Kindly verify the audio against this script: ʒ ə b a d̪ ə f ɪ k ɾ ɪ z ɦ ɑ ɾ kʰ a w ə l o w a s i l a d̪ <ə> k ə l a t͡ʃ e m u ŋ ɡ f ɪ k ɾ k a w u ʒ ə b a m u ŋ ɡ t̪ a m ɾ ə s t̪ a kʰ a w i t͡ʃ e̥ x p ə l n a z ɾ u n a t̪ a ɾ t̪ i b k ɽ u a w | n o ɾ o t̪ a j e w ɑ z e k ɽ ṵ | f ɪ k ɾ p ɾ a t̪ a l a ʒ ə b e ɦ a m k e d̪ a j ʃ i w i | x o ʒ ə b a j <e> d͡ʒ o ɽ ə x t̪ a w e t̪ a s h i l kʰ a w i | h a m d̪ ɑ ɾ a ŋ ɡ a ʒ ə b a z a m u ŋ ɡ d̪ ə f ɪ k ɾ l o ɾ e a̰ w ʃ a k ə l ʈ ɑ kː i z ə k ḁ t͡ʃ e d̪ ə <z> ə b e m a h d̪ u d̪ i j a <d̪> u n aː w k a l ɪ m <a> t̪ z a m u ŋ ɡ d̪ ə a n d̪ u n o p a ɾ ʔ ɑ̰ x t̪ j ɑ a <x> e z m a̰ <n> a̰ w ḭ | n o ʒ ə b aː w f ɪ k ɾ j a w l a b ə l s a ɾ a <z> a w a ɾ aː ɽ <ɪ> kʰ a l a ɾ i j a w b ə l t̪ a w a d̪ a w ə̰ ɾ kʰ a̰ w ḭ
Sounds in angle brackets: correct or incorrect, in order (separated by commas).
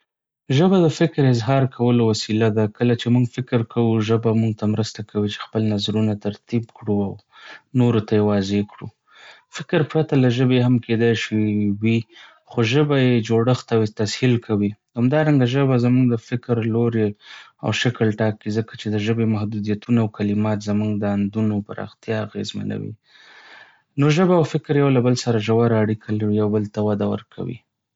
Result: incorrect, correct, incorrect, incorrect, incorrect, incorrect, correct, incorrect, incorrect